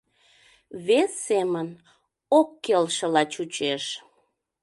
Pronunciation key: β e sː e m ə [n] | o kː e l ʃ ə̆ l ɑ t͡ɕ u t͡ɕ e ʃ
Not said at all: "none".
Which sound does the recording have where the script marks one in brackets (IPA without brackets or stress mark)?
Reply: n